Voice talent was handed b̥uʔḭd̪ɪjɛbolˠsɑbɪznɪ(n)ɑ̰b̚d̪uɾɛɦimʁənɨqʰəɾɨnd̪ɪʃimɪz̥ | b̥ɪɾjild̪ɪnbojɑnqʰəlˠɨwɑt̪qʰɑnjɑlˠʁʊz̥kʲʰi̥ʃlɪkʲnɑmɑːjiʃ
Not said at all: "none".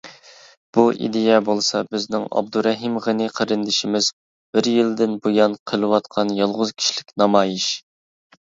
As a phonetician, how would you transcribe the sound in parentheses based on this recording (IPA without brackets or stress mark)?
ŋ